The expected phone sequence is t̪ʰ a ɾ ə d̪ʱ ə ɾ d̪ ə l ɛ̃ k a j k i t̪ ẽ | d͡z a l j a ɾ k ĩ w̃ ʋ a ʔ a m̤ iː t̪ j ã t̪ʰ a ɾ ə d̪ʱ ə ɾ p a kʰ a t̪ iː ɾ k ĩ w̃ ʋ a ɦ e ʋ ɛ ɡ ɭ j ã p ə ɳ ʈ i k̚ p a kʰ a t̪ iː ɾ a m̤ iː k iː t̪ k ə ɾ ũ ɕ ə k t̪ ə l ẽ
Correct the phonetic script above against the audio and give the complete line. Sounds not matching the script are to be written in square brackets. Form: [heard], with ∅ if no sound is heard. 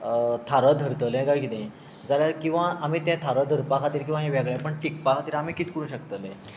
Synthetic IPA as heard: t̪ʰ a ɾ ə d̪ʱ ə ɾ [t̪] ə l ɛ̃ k a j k i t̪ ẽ | d͡z a l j a ɾ k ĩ w̃ ʋ a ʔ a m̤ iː t̪ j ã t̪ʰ a ɾ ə d̪ʱ ə ɾ p a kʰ a t̪ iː ɾ k ĩ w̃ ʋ a ɦ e ʋ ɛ ɡ ɭ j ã p ə ɳ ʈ i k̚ p a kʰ a t̪ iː ɾ a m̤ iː k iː t̪ k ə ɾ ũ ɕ ə k t̪ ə l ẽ